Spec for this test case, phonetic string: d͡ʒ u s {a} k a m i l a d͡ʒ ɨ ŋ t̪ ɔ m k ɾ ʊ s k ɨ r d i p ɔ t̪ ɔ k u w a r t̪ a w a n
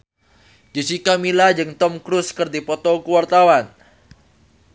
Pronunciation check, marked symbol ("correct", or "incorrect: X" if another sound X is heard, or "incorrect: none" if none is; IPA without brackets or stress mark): incorrect: i